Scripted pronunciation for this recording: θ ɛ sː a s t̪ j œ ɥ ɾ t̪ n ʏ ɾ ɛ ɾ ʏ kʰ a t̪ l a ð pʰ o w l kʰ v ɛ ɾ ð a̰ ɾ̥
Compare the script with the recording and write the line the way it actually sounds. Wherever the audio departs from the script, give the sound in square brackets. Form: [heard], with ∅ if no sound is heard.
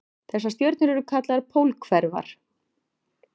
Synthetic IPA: θ ɛ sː a s t̪ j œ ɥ ɾ t̪ n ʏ ɾ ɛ ɾ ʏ kʰ a t̪ l a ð pʰ o w l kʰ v ɛ ɾ [v] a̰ ɾ̥

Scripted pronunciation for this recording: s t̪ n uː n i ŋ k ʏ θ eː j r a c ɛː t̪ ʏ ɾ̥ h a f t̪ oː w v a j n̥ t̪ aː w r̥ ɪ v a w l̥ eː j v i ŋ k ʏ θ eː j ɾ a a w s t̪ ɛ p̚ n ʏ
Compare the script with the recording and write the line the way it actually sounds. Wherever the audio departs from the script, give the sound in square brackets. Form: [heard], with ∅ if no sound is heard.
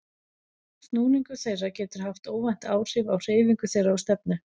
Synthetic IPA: s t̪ n uː n i ŋ k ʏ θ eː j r a c ɛː t̪ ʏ ɾ̥ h a f t̪ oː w v a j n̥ t̪ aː w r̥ ɪ v a w [r̥] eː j v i ŋ k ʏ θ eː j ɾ a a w s t̪ ɛ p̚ n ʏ

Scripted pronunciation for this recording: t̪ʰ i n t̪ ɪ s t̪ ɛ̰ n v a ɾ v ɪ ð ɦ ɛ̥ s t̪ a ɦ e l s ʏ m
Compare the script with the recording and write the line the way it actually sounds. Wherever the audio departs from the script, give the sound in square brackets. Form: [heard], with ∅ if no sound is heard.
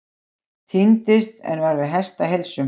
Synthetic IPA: t̪ʰ i n t̪ ɪ s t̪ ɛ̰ n v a ɾ v ɪ ð ɦ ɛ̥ s t̪ a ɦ e l s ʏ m

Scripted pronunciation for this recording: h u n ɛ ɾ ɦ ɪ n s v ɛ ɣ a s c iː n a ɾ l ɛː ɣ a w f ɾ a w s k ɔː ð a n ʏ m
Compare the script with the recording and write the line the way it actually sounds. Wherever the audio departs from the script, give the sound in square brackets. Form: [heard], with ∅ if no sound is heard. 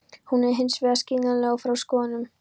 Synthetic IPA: h u n ɛ ɾ ɦ ɪ n s v ɛ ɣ a s c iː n a [∅] l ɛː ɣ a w f ɾ a w s k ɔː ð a n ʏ m

